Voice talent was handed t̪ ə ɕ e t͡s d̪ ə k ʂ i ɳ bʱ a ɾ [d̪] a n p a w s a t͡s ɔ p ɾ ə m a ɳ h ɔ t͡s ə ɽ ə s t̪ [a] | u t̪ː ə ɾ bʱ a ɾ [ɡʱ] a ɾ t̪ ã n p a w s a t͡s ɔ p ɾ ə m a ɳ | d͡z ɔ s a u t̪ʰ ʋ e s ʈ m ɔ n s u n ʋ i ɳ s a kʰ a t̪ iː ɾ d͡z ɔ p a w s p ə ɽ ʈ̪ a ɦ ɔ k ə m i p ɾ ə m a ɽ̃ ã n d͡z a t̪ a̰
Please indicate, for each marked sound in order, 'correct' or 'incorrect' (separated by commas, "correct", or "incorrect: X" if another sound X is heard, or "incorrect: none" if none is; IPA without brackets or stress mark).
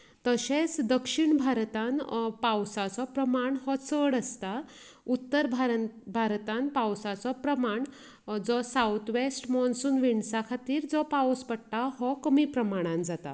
incorrect: t̪, correct, incorrect: bʱ